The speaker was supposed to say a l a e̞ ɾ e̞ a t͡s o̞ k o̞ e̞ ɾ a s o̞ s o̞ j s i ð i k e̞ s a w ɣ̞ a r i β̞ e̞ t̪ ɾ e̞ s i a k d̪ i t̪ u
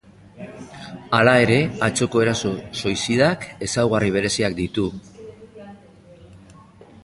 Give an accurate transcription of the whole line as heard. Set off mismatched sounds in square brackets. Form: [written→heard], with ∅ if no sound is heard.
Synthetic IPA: a l a e̞ ɾ e̞ a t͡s o̞ k o̞ e̞ ɾ a s o̞ s o̞ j s i ð [i→a] k e̞ s a w ɣ̞ a r i β̞ e̞ [t̪→∅] ɾ e̞ s i a k d̪ i t̪ u